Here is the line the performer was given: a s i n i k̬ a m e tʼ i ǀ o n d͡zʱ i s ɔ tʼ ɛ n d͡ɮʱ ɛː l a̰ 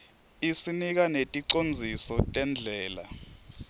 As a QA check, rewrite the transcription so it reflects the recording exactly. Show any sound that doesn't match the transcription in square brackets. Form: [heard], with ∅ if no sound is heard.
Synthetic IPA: [i] s i n i k̬ a [n] e tʼ i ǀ o n d͡zʱ i s ɔ tʼ ɛ n d͡ɮʱ ɛː l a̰